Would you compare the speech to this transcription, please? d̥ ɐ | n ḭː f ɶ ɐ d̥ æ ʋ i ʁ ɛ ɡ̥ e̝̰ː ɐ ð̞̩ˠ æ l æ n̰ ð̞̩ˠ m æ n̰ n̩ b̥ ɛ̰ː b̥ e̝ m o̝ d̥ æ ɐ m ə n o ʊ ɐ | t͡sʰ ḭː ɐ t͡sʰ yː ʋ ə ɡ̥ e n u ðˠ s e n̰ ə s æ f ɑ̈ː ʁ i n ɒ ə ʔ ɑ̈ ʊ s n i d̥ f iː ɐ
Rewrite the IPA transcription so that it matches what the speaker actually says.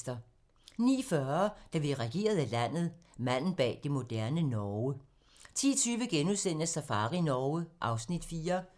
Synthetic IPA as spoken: d̥ ɐ | n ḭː f ɶ ɐ d̥ æ ʋ i ʁ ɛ ɡ̥ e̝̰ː ɐ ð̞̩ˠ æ l æ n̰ ð̞̩ˠ m æ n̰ n̩ b̥ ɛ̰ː d̥ e̝ m o̝ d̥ æ ɐ n ə n ɒ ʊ ə | t͡sʰ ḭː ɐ t͡sʰ yː ʋ ə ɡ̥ e n u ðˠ s e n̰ ə s æ f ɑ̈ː ʁ i n ɒ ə ʔ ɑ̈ ʊ s n i d̥ f iː ɐ